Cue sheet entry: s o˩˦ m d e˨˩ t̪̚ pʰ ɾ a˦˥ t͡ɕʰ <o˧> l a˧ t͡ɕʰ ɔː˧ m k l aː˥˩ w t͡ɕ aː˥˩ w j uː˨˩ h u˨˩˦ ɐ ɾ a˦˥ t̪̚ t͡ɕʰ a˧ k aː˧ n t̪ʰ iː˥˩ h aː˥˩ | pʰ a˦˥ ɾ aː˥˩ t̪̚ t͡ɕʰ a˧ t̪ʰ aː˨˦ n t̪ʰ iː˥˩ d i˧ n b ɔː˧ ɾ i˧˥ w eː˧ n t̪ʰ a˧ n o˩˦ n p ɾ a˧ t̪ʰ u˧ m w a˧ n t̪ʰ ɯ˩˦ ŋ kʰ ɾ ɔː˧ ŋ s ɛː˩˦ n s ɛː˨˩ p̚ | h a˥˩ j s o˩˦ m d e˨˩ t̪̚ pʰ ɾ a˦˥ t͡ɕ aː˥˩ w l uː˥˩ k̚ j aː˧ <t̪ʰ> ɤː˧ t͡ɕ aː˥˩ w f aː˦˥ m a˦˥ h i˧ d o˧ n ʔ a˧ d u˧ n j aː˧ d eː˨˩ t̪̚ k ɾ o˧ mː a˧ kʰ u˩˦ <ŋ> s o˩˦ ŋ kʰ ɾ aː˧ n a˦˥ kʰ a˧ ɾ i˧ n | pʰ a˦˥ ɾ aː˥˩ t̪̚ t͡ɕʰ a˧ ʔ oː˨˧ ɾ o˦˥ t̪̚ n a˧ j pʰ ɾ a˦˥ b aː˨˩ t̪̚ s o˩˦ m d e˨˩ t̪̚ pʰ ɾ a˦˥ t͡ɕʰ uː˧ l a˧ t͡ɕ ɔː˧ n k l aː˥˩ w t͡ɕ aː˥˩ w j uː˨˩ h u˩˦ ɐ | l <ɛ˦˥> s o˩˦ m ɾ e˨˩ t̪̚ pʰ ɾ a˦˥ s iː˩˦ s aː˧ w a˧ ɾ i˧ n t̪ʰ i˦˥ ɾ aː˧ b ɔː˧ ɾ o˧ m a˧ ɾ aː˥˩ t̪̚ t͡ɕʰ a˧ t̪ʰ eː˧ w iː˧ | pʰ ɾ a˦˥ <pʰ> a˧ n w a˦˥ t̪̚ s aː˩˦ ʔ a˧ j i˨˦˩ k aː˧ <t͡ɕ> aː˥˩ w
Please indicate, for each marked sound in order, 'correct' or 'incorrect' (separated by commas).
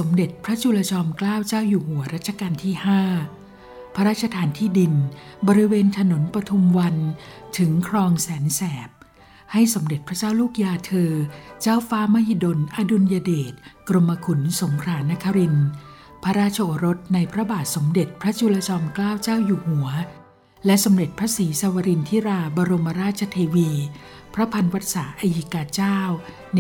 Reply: incorrect, correct, incorrect, correct, correct, correct